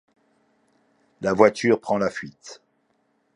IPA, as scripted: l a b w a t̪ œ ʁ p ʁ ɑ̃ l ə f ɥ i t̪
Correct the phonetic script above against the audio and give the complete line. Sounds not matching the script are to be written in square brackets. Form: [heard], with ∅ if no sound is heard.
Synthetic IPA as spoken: l a [v] w a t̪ [y] ʁ p [χ] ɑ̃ l [a] f ɥ i t̪